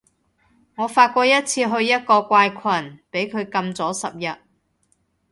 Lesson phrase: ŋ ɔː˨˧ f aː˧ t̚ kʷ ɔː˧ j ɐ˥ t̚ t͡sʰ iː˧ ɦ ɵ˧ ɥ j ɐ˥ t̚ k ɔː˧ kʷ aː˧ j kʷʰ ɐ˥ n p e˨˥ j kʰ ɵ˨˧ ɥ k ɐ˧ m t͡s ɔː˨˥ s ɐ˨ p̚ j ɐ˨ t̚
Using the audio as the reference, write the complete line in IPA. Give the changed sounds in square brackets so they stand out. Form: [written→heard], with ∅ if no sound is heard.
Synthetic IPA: ŋ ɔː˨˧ f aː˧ t̚ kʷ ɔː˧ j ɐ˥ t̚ t͡sʰ iː˧ ɦ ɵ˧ ɥ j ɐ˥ t̚ k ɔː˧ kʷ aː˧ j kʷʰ [ɐ˥→ɐ˨˩] n p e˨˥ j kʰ ɵ˨˧ ɥ k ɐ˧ m t͡s ɔː˨˥ s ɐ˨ p̚ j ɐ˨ t̚

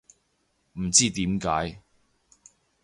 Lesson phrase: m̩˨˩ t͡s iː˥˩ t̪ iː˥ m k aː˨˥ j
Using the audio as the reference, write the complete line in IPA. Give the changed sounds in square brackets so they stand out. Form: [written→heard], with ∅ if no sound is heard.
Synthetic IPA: m̩˨˩ t͡s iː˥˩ t̪ [iː˥→iː˨˥] m k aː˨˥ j

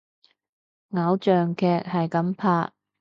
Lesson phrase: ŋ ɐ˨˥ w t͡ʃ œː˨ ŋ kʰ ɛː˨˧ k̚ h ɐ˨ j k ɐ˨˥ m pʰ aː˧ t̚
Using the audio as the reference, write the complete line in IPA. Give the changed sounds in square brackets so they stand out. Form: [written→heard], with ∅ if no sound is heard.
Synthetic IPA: ŋ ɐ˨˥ w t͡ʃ œː˨ ŋ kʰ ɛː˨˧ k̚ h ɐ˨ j k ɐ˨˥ m pʰ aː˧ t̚

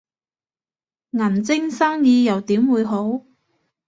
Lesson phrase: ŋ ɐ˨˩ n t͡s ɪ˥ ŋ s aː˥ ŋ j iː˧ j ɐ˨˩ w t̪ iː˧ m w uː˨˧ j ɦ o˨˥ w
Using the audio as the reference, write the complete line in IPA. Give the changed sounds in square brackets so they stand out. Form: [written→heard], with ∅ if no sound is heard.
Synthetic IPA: ŋ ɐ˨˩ n t͡s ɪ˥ ŋ s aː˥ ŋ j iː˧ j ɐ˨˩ w t̪ [iː˧→iː˨˥] m w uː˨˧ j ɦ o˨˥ w

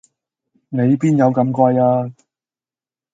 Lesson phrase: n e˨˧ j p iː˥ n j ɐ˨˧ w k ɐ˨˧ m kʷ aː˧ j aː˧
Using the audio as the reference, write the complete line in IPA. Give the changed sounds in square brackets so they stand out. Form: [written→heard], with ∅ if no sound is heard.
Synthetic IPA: n e˨˧ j p iː˥ n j ɐ˨˧ w k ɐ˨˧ m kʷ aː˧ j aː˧

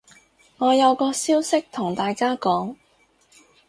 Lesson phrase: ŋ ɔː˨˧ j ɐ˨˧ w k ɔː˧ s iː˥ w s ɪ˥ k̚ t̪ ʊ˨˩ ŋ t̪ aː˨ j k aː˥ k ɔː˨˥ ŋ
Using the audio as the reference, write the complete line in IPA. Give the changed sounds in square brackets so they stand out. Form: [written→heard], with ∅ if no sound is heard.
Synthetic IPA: ŋ ɔː˨˧ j ɐ˨˧ w k ɔː˧ s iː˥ w s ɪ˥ k̚ [t̪→t̪ʰ] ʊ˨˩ ŋ t̪ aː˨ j k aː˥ k ɔː˨˥ ŋ

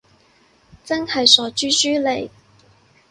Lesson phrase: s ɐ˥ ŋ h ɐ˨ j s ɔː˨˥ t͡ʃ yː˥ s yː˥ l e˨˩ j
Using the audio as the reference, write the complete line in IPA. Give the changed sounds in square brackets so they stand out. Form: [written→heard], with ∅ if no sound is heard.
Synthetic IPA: [s→t͡s] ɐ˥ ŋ h ɐ˨ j s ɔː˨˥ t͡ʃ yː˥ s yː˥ l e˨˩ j

